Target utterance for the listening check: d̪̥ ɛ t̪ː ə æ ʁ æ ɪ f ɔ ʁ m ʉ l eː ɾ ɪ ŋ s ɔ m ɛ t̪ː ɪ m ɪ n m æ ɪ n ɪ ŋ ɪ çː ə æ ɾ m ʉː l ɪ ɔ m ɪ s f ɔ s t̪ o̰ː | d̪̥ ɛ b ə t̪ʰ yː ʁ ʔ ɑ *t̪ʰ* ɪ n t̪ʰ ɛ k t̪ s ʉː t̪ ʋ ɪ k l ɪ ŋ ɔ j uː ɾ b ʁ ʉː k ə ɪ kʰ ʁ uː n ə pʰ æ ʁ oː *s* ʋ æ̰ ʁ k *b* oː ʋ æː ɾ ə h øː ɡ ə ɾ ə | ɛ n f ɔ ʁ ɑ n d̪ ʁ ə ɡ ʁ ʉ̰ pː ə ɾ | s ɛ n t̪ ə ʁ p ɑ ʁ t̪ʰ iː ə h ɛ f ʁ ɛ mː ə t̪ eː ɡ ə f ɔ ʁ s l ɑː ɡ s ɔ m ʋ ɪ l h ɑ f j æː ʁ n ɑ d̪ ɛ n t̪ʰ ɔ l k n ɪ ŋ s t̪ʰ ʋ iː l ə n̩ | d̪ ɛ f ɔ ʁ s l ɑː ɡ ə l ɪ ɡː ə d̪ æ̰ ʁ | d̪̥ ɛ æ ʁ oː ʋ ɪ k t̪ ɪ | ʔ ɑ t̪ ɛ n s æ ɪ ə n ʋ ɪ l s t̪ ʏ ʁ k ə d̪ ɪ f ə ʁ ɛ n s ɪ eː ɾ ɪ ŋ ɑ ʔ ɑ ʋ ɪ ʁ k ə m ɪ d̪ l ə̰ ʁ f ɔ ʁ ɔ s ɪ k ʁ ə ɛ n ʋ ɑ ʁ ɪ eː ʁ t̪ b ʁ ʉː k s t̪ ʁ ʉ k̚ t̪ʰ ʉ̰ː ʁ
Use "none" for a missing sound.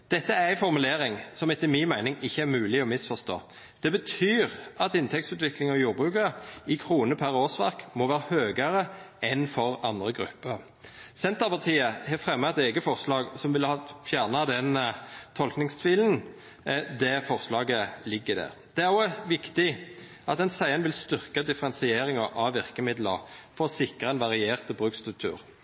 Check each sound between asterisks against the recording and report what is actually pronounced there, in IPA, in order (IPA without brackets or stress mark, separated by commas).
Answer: t̪, s, m